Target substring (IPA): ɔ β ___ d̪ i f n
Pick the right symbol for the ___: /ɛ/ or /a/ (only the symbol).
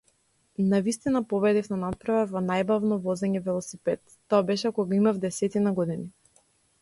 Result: ɛ